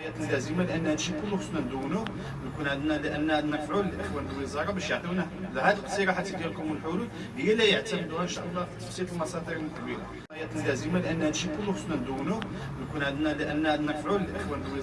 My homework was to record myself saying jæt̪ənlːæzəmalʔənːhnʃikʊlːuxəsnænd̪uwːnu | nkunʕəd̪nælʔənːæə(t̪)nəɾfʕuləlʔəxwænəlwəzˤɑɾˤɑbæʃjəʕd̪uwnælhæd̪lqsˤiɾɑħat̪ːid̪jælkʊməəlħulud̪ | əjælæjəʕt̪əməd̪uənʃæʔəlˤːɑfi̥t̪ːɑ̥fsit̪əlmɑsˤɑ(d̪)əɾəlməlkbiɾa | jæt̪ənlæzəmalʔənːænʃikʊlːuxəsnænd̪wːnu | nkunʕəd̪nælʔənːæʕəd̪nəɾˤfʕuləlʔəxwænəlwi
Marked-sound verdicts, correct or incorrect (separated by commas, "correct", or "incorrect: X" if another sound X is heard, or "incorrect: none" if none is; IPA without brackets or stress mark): incorrect: d̪, correct